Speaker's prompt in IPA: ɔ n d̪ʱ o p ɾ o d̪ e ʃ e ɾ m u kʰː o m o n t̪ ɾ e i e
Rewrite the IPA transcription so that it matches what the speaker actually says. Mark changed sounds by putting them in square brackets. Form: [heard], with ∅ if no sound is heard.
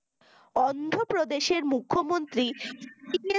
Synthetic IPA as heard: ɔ n d̪ʱ o p ɾ o d̪ e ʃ e ɾ m u kʰː o m o n t̪ ɾ [i] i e